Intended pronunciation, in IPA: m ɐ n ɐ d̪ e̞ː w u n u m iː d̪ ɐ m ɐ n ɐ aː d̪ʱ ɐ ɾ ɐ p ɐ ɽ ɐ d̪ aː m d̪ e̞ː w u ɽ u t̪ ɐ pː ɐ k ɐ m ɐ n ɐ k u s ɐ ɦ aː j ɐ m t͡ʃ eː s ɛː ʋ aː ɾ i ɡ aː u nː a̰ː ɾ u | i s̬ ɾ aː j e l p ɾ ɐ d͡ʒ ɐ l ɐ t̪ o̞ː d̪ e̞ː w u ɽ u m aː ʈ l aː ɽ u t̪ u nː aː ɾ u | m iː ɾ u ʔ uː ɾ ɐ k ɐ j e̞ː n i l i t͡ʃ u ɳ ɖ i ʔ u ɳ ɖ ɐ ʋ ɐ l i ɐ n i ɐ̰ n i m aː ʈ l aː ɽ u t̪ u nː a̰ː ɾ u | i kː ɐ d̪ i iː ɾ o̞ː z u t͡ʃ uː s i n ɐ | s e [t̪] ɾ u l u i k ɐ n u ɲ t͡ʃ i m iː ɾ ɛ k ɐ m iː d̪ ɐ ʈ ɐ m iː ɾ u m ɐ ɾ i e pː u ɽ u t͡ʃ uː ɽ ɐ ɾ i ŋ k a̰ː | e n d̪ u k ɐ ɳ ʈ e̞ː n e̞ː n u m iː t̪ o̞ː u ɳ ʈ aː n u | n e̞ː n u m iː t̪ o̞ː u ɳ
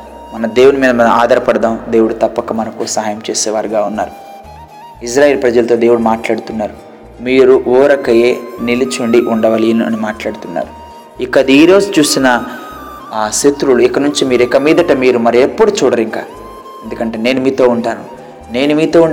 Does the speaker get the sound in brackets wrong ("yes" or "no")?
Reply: no